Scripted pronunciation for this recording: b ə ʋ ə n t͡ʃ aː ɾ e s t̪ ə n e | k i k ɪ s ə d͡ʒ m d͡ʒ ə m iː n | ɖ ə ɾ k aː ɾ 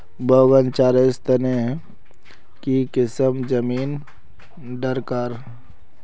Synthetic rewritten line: b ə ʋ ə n t͡ʃ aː ɾ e s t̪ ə n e | k i k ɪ s ə m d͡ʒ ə m iː n | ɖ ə ɾ k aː ɾ